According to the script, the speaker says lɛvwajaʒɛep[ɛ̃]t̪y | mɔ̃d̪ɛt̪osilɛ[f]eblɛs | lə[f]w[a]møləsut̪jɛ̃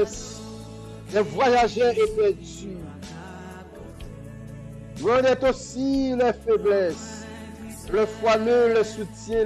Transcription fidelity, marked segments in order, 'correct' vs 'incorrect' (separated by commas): incorrect, correct, correct, correct